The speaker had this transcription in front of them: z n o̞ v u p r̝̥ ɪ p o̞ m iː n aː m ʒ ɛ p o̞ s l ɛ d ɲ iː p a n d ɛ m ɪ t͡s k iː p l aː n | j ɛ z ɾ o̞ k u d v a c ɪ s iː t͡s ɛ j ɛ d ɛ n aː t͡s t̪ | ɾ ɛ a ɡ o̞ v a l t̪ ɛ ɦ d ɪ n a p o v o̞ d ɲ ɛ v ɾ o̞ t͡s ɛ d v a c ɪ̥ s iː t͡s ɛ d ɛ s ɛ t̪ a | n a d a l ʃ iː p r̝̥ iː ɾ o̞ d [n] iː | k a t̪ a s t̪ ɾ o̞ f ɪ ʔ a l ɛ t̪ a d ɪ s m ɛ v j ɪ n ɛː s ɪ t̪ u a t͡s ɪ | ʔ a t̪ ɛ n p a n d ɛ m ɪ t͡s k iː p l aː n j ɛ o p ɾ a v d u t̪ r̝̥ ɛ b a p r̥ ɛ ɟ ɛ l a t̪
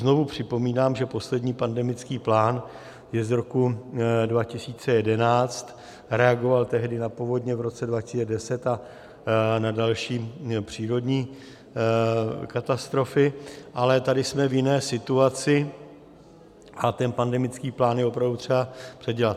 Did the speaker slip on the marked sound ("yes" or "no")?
yes